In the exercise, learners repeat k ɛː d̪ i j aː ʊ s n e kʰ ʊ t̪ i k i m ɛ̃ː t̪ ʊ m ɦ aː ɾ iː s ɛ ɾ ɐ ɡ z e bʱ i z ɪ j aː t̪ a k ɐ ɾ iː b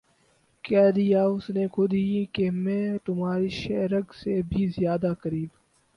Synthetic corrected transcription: k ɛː d̪ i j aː ʊ s n e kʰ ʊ d̪ i k e m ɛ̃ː t̪ ʊ m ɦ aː ɾ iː ʃ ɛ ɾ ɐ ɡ s e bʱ i z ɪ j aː d̪ a k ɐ ɾ iː b